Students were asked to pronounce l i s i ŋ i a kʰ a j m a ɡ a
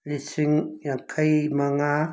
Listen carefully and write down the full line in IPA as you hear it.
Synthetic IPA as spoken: l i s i ŋ j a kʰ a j m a ŋ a